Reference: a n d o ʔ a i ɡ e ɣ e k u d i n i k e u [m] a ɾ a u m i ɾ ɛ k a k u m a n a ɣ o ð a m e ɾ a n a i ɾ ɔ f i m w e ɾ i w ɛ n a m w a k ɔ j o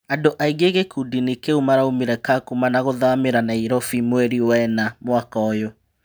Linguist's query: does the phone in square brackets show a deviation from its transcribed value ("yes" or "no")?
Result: no